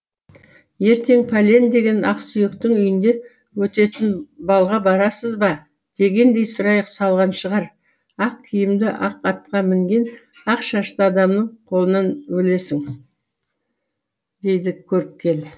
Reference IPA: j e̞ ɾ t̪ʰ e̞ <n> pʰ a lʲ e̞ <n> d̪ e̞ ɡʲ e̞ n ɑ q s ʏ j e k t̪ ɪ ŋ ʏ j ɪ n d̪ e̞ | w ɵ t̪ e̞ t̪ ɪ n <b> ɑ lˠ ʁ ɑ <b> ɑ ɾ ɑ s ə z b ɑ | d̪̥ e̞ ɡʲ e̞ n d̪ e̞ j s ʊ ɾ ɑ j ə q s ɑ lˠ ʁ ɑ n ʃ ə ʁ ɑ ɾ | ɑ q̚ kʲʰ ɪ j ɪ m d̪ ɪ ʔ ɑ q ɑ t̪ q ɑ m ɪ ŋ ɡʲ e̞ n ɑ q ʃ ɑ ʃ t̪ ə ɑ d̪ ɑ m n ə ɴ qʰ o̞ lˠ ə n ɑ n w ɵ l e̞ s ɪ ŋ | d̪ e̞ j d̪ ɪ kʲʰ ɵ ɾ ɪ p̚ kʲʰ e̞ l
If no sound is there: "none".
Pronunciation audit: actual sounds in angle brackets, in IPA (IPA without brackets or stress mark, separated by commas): ŋ, n, b, b